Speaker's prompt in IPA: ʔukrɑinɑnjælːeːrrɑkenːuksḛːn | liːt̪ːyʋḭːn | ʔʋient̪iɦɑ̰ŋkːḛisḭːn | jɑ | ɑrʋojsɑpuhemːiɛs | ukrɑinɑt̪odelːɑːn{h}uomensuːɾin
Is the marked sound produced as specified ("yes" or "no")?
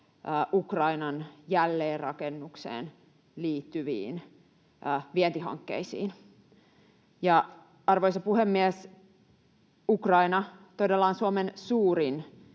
no